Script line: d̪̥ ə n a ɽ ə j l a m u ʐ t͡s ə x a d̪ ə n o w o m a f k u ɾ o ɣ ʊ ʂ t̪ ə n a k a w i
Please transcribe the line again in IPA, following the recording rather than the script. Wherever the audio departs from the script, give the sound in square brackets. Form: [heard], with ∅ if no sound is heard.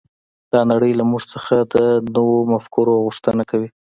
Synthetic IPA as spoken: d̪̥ [ɑ] n a ɽ ə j l a m u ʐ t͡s ə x a d̪ ə n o w o m a f k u ɾ o ɣ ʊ ʂ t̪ ə n a k a w i